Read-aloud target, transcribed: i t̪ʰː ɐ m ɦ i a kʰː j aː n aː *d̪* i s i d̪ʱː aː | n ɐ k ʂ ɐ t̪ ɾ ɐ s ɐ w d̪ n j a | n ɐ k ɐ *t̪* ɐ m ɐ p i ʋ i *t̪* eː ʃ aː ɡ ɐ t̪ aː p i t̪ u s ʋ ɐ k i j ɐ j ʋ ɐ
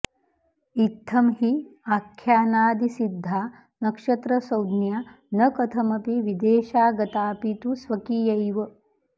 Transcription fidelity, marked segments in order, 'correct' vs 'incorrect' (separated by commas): correct, incorrect, incorrect